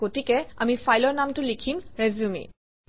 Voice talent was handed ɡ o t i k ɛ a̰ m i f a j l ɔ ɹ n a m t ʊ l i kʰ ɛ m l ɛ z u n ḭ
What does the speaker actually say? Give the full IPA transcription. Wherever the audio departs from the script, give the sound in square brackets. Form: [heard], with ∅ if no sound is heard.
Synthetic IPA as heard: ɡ o t i k ɛ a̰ m i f a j l ɔ ɹ n a m t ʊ l i kʰ [i] m [ɹ] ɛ z u [m] ḭ